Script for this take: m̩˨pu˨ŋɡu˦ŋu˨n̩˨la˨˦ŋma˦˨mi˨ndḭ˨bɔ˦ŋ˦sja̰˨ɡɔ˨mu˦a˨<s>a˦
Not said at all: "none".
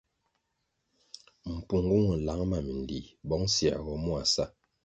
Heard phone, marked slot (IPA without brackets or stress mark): s